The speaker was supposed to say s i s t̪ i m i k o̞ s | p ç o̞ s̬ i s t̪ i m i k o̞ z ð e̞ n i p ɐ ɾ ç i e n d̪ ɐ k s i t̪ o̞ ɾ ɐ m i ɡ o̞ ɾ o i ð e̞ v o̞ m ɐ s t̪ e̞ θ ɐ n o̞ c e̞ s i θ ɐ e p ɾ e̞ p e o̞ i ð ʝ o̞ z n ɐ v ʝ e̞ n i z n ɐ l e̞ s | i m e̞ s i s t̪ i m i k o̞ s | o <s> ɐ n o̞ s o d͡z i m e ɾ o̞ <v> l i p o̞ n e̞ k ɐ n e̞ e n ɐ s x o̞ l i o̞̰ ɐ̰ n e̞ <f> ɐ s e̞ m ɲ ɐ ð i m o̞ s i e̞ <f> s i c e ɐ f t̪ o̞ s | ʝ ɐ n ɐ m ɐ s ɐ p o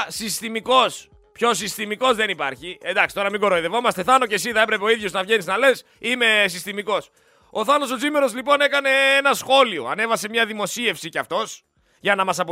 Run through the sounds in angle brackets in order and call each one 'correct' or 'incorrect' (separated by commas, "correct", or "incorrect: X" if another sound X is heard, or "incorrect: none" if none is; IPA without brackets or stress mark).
incorrect: θ, incorrect: z, incorrect: v, correct